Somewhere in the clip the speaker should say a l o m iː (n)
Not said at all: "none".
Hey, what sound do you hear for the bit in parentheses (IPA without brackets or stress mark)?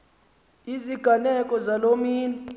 n